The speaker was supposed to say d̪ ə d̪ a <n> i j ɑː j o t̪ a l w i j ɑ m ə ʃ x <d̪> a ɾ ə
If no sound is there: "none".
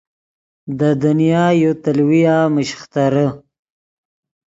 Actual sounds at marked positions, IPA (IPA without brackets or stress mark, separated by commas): n, t̪